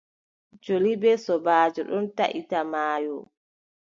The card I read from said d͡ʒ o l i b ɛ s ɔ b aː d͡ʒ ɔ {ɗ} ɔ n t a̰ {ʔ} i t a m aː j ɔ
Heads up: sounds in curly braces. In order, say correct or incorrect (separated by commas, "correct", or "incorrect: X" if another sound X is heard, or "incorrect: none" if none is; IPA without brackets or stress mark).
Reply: correct, correct